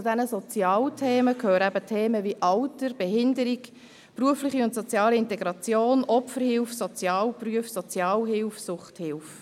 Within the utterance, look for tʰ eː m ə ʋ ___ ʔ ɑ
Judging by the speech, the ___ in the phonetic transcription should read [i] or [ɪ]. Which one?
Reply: i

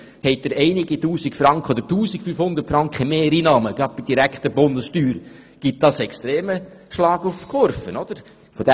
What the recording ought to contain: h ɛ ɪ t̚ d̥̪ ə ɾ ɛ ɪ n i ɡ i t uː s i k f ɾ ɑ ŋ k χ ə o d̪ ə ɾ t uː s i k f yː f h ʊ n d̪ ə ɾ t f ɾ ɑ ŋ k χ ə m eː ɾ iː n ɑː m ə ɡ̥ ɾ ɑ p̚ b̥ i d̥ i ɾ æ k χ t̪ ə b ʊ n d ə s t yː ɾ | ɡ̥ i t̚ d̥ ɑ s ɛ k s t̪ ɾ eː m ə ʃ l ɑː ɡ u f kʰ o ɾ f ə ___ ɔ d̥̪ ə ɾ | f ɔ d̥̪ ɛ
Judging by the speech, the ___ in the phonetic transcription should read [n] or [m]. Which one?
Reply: n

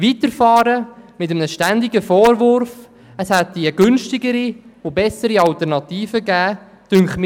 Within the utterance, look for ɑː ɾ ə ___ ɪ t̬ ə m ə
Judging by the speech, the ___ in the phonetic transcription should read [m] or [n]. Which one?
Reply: m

